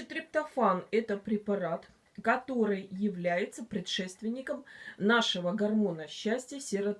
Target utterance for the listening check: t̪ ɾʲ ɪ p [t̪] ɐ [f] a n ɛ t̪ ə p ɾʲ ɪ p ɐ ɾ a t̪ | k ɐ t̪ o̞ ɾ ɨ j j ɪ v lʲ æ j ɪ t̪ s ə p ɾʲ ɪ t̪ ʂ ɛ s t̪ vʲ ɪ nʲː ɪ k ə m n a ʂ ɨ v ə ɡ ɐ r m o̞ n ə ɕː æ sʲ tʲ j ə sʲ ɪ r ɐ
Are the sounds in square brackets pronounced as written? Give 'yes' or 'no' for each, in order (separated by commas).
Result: yes, yes